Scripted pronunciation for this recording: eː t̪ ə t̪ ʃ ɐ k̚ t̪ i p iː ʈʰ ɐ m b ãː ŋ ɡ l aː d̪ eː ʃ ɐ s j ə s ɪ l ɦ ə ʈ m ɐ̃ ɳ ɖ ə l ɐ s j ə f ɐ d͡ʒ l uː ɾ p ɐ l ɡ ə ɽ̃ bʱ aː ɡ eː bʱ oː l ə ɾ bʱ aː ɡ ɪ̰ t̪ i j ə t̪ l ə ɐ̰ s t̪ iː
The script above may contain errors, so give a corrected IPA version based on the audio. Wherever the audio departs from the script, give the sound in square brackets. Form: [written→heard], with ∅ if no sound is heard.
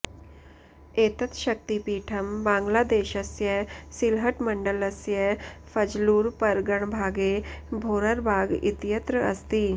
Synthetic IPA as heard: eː t̪ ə t̪ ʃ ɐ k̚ t̪ i p iː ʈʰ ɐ m b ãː ŋ ɡ l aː d̪ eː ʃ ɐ s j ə s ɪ l ɦ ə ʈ m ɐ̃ ɳ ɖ ə l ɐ s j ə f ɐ d͡ʒ l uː ɾ p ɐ [l→ɾ] ɡ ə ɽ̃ bʱ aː ɡ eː bʱ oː [l→ɾ] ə ɾ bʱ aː ɡ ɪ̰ t̪ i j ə t̪ [l→ɾ] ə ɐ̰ s t̪ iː

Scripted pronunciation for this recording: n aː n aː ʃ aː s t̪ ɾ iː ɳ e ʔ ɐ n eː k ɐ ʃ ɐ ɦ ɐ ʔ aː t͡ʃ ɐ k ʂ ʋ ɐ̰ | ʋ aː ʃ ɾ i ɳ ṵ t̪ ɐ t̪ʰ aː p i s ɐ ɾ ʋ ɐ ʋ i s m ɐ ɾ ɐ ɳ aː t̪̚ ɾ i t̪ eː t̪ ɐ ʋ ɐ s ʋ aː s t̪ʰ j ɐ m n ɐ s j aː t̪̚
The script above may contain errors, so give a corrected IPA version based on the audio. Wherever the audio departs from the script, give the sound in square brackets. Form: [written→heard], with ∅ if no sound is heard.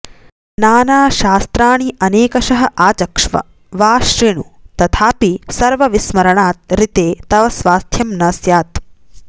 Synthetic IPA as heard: n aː n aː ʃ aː s t̪ ɾ [iː→aː] ɳ [e→i] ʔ ɐ n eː k ɐ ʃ ɐ ɦ ɐ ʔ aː t͡ʃ ɐ k ʂ ʋ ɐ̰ | ʋ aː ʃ ɾ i ɳ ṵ t̪ ɐ t̪ʰ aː p i s ɐ ɾ ʋ ɐ ʋ i s m ɐ ɾ ɐ ɳ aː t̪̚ ɾ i t̪ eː t̪ ɐ ʋ ɐ s ʋ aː s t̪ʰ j ɐ m n ɐ s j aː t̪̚

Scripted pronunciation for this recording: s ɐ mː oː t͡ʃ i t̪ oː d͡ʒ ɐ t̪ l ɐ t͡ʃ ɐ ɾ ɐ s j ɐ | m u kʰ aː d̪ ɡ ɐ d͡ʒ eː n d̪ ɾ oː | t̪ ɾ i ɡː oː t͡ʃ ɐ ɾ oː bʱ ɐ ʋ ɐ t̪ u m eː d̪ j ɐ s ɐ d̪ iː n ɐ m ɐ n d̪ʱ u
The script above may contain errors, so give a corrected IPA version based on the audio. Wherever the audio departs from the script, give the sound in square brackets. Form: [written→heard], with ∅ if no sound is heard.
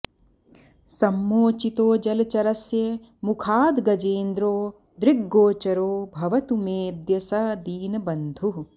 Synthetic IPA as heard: s ɐ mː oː t͡ʃ i t̪ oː d͡ʒ ɐ [t̪→∅] l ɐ t͡ʃ ɐ ɾ ɐ s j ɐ | m u kʰ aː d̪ ɡ ɐ d͡ʒ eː n d̪ ɾ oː | [t̪→d̪] ɾ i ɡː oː t͡ʃ ɐ ɾ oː bʱ ɐ ʋ ɐ t̪ u m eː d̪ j ɐ s ɐ d̪ iː n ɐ [m→b] ɐ n d̪ʱ u

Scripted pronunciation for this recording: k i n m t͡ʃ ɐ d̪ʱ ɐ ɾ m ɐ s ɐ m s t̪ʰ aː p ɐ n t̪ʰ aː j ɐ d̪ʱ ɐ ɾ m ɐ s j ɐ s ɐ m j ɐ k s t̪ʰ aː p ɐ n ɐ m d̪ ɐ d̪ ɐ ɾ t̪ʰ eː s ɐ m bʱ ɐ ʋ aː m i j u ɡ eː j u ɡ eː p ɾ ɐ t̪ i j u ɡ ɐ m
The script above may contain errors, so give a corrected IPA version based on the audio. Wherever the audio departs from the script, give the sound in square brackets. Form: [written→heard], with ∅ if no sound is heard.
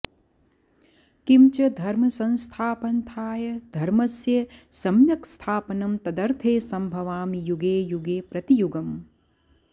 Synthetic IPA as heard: k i [n→∅] m t͡ʃ ɐ d̪ʱ ɐ ɾ m ɐ s ɐ [m→n] s t̪ʰ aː p ɐ n t̪ʰ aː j ɐ d̪ʱ ɐ ɾ m ɐ s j ɐ s ɐ m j ɐ k s t̪ʰ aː p ɐ n ɐ m [d̪→t̪] ɐ d̪ ɐ ɾ t̪ʰ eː s ɐ m bʱ ɐ ʋ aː m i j u ɡ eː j u ɡ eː p ɾ ɐ t̪ i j u ɡ ɐ m

